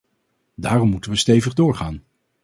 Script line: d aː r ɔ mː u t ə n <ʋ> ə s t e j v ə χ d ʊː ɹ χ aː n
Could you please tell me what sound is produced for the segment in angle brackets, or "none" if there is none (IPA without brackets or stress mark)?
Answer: ʋ